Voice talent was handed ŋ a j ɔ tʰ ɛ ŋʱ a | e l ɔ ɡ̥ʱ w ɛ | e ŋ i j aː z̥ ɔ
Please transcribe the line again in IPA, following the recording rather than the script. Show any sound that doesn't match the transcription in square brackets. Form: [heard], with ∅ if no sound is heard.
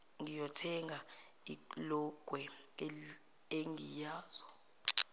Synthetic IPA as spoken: ŋ [i] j ɔ tʰ ɛ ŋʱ a | [i] l ɔ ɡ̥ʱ w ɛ | e ŋ i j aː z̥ ɔ